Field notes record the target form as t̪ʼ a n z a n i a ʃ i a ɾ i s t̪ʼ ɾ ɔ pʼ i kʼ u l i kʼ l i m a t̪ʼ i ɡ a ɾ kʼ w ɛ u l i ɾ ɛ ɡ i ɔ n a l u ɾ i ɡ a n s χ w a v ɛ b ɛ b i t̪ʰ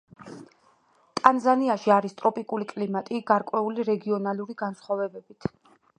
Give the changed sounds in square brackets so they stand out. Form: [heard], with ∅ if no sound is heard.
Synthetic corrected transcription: t̪ʼ a n z a n i a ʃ i a ɾ i s t̪ʼ ɾ ɔ pʼ i kʼ u l i kʼ l i m a t̪ʼ i ɡ a ɾ kʼ w ɛ u l i ɾ ɛ ɡ i ɔ n a l u ɾ i ɡ a n s χ w a v ɛ b ɛ b i t̪ʰ

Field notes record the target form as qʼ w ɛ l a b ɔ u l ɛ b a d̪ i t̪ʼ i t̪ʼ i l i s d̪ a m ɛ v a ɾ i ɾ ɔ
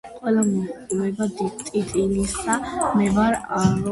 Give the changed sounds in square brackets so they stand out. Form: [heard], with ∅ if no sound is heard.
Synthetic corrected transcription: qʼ w ɛ l a [m] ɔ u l ɛ b a d̪ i t̪ʼ i t̪ʼ i l i s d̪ a m ɛ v a ɾ [a] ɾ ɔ

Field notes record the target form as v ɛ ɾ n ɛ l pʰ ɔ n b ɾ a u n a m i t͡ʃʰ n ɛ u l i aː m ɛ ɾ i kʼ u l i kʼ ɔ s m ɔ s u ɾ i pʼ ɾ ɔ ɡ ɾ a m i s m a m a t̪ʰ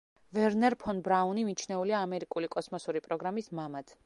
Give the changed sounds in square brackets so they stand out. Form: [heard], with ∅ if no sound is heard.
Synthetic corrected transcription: v ɛ ɾ n ɛ [ɾ] pʰ ɔ n b ɾ a u n [i] m i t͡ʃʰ n ɛ u l i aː m ɛ ɾ i kʼ u l i kʼ ɔ s m ɔ s u ɾ i pʼ ɾ ɔ ɡ ɾ a m i s m a m a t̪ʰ

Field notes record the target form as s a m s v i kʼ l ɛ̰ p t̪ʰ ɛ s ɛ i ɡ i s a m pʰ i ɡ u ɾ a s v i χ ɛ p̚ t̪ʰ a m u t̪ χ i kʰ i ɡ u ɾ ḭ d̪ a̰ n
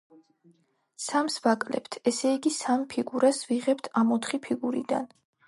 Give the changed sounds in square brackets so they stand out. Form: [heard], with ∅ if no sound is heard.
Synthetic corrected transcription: s a m s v [a] kʼ l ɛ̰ p t̪ʰ ɛ s ɛ i ɡ i s a m pʰ i ɡ u ɾ a s v i [ʁ] ɛ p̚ t̪ʰ a m [ɔ] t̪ χ i [pʰ] i ɡ u ɾ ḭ d̪ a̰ n

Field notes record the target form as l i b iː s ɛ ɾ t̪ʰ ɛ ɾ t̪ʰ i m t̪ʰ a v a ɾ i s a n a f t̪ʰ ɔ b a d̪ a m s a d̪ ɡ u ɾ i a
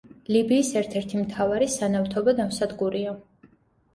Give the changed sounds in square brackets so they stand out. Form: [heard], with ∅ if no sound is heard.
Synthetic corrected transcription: l i b iː s ɛ ɾ t̪ʰ ɛ ɾ t̪ʰ i m t̪ʰ a v a ɾ i s a n a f t̪ʰ ɔ b a d̪ a m s a d̪ ɡ u ɾ i a

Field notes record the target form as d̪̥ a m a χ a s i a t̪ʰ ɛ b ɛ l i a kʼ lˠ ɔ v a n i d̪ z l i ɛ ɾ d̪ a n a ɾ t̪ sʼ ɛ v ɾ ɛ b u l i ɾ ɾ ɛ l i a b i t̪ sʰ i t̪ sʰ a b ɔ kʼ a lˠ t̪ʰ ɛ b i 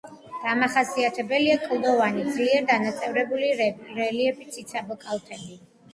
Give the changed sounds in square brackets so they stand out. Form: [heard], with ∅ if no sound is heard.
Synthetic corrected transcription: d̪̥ a m a χ a s i a t̪ʰ ɛ b ɛ l i a kʼ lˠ ɔ v a n i d̪ z l i ɛ ɾ d̪ a n a [∅] t̪ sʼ ɛ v ɾ ɛ b u l i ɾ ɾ ɛ l i [ɛ] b i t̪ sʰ i t̪ sʰ a b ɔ kʼ a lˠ t̪ʰ ɛ b i

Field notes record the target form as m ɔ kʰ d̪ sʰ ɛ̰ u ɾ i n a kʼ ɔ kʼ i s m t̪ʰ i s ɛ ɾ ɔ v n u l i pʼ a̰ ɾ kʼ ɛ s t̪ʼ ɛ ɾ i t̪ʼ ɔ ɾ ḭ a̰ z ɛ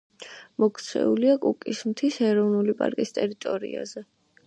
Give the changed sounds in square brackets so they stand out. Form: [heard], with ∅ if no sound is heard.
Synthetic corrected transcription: m ɔ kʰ [t̪] sʰ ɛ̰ u [l] i [∅] a kʼ [u] kʼ i s m t̪ʰ i s ɛ ɾ ɔ v n u l i pʼ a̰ ɾ kʼ [i] s t̪ʼ ɛ ɾ i t̪ʼ ɔ ɾ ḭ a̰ z ɛ

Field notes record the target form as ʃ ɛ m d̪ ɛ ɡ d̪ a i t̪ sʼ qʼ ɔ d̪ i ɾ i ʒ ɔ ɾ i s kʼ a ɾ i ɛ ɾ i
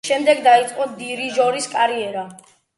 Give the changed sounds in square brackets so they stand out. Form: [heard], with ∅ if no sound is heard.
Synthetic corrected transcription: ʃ ɛ m d̪ ɛ ɡ d̪ a i t̪ sʼ qʼ ɔ d̪ i ɾ i ʒ ɔ ɾ i s kʼ a ɾ i ɛ ɾ [a]

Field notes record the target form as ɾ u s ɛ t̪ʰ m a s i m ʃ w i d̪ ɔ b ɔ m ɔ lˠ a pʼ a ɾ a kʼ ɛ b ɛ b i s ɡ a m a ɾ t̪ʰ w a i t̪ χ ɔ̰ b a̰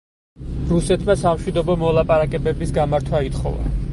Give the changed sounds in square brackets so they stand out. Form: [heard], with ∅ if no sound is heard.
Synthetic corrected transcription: ɾ u s ɛ t̪ʰ m a s [a] m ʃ w i d̪ ɔ b ɔ m ɔ lˠ a pʼ a ɾ a kʼ ɛ b ɛ b i s ɡ a m a ɾ t̪ʰ w a i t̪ χ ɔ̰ [v] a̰

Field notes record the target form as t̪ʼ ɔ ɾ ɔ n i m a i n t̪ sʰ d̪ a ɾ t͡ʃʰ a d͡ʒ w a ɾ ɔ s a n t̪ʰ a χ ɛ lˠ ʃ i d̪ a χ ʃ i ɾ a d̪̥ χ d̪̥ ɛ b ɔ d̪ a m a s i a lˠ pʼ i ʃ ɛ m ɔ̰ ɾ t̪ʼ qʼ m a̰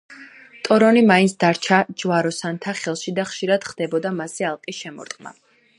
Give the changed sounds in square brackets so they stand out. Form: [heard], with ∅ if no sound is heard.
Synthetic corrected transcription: t̪ʼ ɔ ɾ ɔ n i m a i n t̪ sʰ d̪ a ɾ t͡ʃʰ a d͡ʒ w a ɾ ɔ s a n t̪ʰ a χ ɛ lˠ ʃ i d̪ a χ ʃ i ɾ a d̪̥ χ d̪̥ ɛ b ɔ d̪ a m a s i a lˠ [qʼ] i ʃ ɛ m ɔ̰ ɾ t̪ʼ qʼ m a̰

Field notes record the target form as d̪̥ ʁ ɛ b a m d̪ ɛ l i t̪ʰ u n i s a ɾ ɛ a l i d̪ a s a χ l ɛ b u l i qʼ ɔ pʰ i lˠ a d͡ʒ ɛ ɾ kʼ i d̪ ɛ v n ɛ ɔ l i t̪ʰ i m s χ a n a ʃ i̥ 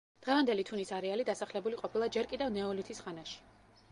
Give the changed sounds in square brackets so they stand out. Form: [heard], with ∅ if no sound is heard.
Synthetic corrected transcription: d̪̥ ʁ ɛ [v] a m d̪ ɛ l i t̪ʰ u n i s a ɾ ɛ a l i d̪ a s a χ l ɛ b u l i qʼ ɔ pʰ i lˠ a d͡ʒ ɛ ɾ kʼ i d̪ ɛ v n ɛ ɔ l i t̪ʰ i [∅] s χ a n a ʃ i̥

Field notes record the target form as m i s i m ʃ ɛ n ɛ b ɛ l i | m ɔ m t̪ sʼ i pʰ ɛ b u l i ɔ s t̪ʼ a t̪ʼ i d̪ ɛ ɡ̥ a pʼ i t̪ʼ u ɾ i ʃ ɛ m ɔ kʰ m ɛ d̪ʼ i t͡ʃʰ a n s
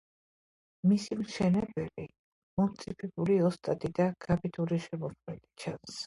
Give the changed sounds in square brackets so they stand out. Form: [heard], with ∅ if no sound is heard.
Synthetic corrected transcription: m i s i m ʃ ɛ n ɛ b ɛ l i | m ɔ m t̪ sʼ i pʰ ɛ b u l i ɔ s t̪ʼ a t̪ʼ i d̪ [a] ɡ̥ a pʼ i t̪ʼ u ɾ i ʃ ɛ m ɔ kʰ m ɛ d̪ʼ i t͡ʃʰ a n s

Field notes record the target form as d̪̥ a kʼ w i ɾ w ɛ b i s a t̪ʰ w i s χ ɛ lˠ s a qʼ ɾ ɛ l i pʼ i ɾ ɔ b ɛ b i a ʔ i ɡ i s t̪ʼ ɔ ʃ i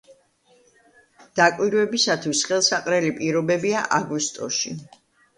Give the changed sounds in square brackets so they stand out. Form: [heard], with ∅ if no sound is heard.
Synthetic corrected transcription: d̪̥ a kʼ w i ɾ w ɛ b i s a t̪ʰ w i s χ ɛ lˠ s a qʼ ɾ ɛ l i pʼ i ɾ ɔ b ɛ b i a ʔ [a] ɡ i s t̪ʼ ɔ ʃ i

